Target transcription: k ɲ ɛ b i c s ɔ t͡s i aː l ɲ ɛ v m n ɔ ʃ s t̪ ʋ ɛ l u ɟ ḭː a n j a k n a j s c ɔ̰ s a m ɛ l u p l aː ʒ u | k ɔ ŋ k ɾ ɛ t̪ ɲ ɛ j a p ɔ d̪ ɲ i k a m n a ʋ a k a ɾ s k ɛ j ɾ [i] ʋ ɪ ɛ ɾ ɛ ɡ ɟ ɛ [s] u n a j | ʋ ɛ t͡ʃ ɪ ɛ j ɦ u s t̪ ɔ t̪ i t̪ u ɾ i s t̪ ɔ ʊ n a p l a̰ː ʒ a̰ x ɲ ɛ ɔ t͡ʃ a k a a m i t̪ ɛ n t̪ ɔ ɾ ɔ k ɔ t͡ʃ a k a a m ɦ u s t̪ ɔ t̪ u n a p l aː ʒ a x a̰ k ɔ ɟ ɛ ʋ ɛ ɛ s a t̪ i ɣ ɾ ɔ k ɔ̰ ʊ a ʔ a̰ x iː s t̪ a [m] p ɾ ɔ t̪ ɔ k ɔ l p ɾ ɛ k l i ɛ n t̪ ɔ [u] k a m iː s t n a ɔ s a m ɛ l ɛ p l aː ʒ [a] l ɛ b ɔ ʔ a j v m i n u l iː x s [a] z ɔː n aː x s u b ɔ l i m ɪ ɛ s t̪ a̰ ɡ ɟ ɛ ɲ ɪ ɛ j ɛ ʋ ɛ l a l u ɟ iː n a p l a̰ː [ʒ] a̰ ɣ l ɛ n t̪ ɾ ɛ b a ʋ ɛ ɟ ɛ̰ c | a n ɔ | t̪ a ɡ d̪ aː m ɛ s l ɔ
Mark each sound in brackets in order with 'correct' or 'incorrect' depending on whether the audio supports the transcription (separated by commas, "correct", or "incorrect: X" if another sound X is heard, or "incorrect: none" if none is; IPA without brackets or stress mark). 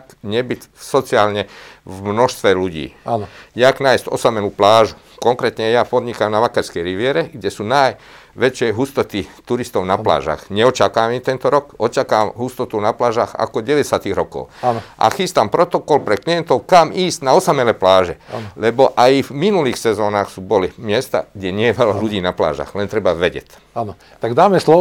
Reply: correct, correct, correct, incorrect: ʊ, incorrect: ɛ, incorrect: ɛ, correct